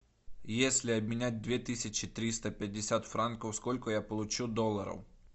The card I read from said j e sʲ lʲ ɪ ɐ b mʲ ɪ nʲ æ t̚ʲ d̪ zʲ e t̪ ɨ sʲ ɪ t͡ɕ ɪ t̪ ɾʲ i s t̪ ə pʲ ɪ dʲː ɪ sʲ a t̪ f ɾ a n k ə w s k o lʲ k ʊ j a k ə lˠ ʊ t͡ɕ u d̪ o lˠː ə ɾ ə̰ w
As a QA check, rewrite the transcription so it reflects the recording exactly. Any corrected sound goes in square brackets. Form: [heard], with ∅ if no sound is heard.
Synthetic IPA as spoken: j e sʲ lʲ ɪ ɐ b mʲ ɪ nʲ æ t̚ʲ d̪ [vʲ] e t̪ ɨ sʲ ɪ t͡ɕ ɪ t̪ ɾʲ i s t̪ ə pʲ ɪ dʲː ɪ sʲ a t̪ f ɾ a n k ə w s k o lʲ k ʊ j a [p] ə lˠ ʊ t͡ɕ u d̪ o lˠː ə ɾ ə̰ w